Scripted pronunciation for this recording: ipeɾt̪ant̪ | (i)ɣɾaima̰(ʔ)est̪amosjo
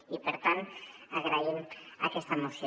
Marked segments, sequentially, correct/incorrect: incorrect: a, incorrect: k

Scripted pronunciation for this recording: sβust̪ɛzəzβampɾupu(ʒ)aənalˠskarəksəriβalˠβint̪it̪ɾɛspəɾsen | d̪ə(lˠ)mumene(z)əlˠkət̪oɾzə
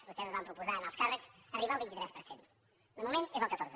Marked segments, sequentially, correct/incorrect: incorrect: z, incorrect: none, correct

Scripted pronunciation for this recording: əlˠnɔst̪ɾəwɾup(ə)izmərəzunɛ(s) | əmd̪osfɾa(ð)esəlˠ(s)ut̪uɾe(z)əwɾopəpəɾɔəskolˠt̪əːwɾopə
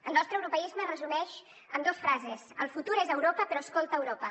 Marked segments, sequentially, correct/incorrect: correct, incorrect: ʃ, incorrect: z, incorrect: f, correct

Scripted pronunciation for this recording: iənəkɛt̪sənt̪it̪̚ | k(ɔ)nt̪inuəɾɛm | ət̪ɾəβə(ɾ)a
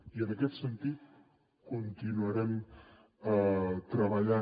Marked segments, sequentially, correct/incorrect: incorrect: u, incorrect: ʎ

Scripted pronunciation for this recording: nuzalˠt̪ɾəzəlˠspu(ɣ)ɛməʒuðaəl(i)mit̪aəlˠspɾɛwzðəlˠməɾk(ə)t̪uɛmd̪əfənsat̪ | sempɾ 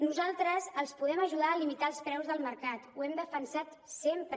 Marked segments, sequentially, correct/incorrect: incorrect: ð, correct, incorrect: a

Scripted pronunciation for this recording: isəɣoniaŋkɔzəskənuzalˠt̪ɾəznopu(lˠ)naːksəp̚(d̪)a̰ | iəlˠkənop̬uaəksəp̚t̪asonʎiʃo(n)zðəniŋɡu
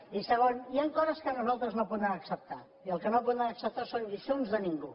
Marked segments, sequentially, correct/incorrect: incorrect: none, incorrect: t̪, correct

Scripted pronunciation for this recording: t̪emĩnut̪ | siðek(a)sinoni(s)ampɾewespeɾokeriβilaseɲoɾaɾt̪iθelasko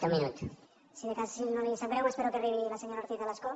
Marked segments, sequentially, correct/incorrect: correct, correct

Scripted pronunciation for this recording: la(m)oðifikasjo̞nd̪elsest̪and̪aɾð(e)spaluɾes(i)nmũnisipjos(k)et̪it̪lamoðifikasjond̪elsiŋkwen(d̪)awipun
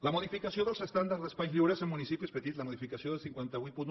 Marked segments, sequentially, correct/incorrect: correct, correct, incorrect: e, incorrect: p, incorrect: t̪

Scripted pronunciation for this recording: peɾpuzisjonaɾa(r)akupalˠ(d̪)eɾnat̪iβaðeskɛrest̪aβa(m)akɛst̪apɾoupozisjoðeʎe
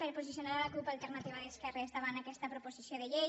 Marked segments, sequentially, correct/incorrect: incorrect: l, incorrect: t̪, incorrect: n

